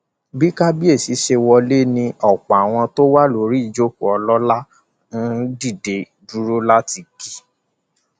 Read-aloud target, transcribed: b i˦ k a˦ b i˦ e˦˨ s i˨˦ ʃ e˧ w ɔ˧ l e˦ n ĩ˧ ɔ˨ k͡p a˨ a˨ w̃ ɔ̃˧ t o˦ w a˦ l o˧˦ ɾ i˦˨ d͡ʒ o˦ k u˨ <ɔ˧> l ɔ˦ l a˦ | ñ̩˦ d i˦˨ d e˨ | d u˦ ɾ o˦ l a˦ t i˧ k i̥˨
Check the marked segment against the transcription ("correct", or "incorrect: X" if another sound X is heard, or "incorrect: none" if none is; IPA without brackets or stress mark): correct